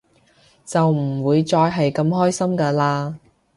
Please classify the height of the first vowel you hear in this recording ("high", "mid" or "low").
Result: low